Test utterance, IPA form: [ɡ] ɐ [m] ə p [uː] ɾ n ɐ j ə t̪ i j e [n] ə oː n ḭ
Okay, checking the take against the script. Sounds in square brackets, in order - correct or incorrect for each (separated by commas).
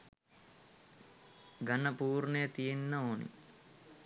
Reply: correct, incorrect, correct, incorrect